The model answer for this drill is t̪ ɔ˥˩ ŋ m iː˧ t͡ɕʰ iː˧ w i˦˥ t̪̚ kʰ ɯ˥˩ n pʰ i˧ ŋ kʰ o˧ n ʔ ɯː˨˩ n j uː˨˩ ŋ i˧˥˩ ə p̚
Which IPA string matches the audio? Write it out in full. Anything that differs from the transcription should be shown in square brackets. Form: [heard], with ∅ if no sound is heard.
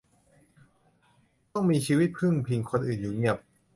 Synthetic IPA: t̪ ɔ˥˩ ŋ m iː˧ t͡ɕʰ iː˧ w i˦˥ t̪̚ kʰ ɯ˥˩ [ŋ] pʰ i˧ ŋ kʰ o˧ n ʔ ɯː˨˩ n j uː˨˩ ŋ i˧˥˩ ə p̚